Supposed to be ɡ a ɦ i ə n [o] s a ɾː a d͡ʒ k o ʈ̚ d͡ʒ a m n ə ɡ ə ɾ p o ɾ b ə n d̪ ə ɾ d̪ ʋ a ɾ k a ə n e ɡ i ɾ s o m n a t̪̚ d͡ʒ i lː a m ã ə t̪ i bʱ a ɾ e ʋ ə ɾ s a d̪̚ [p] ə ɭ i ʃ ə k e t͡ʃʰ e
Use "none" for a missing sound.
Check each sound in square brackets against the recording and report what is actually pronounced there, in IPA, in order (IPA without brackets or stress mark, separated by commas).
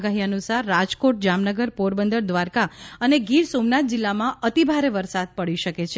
u, p